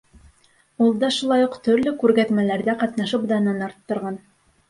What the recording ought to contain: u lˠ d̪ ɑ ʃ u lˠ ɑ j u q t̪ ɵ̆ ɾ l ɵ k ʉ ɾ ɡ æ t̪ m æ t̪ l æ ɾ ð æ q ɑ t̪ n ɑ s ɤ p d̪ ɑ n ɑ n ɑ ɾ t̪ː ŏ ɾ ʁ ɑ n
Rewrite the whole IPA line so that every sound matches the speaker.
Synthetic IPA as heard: u lˠ d̪ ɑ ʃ u lˠ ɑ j u q t̪ ɵ̆ ɾ l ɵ k ʉ ɾ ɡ æ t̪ m æ l æ ɾ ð æ q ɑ t̪ n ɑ ʃ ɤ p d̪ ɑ n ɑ n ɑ ɾ t̪ː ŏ ɾ ʁ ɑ n